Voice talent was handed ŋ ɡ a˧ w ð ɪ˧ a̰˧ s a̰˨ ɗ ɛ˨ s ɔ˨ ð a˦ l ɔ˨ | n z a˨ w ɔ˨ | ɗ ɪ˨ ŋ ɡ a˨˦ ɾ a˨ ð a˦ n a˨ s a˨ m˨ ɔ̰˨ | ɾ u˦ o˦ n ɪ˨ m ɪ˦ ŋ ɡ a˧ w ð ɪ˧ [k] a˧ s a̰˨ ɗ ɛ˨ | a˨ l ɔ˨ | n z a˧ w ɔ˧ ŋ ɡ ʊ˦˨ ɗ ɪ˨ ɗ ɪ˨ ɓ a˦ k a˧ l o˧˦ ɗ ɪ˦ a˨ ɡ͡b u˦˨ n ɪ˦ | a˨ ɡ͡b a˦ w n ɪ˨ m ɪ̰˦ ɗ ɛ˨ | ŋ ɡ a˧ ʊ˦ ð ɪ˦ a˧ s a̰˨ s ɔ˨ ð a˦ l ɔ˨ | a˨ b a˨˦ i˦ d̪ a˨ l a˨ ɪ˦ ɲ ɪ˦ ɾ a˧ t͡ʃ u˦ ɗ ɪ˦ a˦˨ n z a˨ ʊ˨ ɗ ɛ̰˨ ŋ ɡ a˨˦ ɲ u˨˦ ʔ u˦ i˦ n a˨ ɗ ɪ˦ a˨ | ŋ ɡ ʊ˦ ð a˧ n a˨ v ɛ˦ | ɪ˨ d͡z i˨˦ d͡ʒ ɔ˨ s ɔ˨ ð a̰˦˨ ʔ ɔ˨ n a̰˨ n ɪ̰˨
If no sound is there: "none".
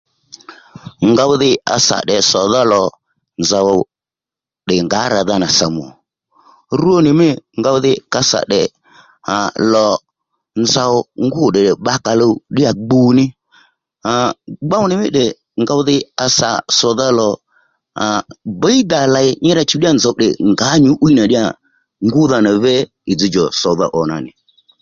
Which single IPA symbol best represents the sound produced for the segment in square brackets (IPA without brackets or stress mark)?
k